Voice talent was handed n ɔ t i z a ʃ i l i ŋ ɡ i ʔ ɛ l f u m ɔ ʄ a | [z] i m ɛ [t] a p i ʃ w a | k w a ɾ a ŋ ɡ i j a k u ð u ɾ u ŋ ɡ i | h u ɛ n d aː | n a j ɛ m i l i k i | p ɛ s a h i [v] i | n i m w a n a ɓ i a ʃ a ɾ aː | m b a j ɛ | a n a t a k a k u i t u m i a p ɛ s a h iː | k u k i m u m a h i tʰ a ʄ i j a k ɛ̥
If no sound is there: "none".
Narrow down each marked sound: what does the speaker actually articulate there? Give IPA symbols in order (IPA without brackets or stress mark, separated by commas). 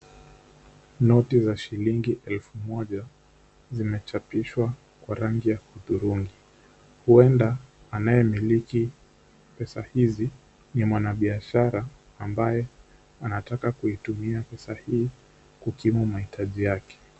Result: z, t͡ʃ, z